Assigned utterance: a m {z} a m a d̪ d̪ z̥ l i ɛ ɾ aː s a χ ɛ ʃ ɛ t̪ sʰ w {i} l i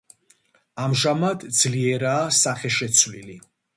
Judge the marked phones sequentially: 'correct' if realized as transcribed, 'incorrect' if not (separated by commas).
incorrect, correct